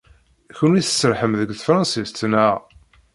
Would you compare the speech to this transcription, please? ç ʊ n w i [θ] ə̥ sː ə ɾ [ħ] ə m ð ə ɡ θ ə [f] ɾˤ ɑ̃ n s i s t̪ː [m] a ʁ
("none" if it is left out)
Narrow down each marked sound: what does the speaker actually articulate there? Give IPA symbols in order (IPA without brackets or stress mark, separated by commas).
θ, ħ, f, n